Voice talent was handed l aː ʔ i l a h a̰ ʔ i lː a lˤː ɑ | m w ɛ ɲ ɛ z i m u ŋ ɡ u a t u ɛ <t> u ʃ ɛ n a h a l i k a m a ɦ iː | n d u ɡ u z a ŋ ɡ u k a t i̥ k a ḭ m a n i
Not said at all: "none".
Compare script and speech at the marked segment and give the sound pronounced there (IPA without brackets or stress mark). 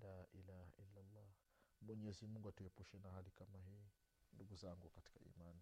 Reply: p